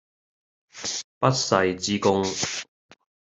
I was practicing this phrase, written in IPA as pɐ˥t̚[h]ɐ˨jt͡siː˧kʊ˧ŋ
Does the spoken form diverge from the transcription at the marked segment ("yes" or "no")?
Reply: yes